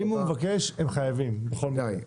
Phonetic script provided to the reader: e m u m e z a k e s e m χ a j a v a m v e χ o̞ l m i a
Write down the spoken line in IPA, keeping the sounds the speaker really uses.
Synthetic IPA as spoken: i m u m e v a k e ʃ e m χ a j a v i m b e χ o̞ l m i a